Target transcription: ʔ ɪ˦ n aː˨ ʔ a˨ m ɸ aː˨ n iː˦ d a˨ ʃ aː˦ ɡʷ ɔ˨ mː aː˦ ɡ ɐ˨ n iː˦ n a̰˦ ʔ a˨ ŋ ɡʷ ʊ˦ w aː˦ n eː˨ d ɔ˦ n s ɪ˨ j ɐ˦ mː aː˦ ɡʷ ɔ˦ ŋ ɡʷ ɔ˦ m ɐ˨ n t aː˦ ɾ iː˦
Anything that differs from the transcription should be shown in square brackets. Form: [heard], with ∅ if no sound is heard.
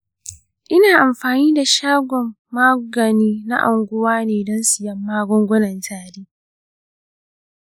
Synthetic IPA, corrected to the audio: ʔ ɪ˦ n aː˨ ʔ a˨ m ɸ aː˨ n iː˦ d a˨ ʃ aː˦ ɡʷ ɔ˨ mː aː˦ ɡ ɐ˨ n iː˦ n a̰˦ ʔ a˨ ŋ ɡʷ ʊ˦ w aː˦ n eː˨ d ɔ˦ n s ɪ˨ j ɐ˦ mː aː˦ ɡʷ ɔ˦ ŋ ɡʷ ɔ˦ [n] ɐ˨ n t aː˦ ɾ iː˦

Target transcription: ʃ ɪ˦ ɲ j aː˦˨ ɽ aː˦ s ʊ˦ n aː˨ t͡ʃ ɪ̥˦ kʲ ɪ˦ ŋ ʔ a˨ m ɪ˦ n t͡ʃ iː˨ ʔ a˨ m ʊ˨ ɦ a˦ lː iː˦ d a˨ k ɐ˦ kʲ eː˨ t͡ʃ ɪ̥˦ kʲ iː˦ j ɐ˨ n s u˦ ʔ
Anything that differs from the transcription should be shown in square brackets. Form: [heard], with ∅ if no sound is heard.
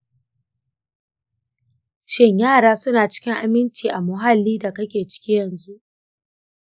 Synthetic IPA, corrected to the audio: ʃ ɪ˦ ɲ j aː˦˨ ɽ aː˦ s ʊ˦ n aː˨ t͡ʃ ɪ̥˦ kʲ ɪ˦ ŋ ʔ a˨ m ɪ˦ n t͡ʃ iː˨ ʔ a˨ m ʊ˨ ɦ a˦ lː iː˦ d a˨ k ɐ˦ kʲ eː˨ t͡ʃ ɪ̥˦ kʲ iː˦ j ɐ˨ n [z] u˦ ʔ

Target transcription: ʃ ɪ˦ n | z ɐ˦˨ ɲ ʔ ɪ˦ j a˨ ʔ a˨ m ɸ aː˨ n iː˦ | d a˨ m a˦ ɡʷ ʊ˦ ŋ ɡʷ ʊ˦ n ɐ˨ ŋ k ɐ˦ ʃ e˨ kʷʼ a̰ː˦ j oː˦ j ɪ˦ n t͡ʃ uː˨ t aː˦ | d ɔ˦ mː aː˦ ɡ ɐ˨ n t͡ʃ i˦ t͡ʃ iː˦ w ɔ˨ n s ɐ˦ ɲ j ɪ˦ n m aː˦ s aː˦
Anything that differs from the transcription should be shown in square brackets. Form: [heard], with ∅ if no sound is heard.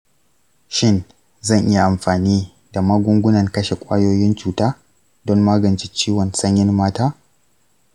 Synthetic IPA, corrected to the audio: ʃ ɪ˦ n | z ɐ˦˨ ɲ ʔ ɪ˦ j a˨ ʔ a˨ m ɸ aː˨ n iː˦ | d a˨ m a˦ ɡʷ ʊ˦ ŋ ɡʷ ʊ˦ n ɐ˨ ŋ k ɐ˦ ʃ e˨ kʷʼ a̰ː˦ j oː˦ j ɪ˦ n t͡ʃ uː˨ t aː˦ | d ɔ˦ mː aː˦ ɡ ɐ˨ n t͡ʃ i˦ t͡ʃ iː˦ w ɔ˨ n s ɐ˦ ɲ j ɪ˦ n m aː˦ [t] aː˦

